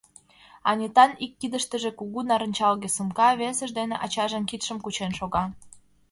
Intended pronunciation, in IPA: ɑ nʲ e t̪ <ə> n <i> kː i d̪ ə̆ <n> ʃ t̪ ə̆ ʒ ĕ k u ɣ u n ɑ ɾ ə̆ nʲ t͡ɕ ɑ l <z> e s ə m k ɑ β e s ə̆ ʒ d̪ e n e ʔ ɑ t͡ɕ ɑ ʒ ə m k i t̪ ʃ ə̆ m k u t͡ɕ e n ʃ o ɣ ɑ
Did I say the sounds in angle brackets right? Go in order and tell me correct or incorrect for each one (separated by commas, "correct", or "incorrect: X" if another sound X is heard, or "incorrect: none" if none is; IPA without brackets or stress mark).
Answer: incorrect: ɑ, correct, incorrect: none, incorrect: ɣ